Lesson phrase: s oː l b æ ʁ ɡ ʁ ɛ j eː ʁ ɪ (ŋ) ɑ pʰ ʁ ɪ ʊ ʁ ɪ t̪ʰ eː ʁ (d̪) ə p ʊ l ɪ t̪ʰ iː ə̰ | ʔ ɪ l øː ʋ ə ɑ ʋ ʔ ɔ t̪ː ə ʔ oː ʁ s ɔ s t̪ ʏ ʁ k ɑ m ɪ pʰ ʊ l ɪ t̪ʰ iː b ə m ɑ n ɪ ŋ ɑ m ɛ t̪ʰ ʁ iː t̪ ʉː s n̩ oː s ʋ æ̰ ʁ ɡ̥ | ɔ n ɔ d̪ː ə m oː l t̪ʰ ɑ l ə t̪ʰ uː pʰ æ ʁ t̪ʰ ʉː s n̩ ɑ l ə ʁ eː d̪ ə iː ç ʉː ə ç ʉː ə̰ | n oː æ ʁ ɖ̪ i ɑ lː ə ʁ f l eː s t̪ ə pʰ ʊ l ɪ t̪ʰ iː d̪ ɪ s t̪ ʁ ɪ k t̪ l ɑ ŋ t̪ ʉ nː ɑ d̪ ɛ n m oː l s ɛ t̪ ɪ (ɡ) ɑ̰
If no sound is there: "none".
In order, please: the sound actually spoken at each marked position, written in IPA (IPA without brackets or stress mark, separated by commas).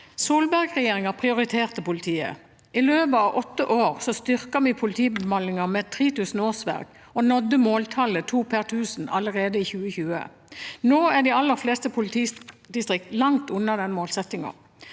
ŋ, t̪, ŋ